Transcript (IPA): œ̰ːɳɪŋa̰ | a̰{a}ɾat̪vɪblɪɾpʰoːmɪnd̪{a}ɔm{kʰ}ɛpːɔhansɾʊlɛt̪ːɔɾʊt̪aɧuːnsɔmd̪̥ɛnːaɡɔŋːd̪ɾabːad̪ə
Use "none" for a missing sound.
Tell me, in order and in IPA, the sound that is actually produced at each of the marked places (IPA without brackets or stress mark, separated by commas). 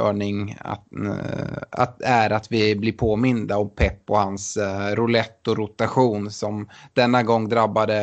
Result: æ, a, pʰ